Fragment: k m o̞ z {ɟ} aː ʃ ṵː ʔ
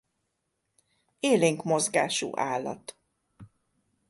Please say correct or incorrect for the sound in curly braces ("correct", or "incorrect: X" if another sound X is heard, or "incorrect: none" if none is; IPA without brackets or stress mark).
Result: incorrect: ɡ